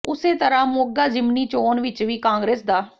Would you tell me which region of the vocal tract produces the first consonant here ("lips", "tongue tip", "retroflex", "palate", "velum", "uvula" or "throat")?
tongue tip